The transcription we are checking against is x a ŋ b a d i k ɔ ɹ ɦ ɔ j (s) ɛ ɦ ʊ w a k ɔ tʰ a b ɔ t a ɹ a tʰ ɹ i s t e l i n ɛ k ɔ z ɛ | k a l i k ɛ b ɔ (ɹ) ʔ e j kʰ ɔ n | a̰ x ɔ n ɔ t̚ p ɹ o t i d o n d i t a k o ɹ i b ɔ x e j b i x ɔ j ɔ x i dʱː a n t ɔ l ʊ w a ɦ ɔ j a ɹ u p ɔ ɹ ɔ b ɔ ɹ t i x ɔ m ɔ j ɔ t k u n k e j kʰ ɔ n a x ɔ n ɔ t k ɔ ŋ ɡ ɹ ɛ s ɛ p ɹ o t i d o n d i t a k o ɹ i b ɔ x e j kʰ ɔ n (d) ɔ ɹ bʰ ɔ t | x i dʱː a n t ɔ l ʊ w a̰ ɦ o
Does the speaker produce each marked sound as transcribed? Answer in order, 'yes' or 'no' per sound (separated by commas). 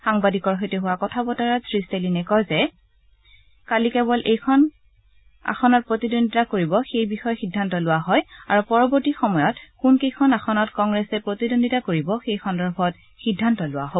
no, no, yes